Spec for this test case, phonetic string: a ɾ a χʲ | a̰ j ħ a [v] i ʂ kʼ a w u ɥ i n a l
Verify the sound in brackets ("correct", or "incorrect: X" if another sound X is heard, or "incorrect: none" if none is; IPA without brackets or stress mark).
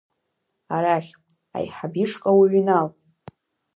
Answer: incorrect: b